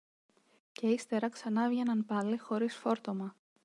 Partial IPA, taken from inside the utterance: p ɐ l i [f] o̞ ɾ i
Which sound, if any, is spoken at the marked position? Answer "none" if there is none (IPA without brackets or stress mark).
x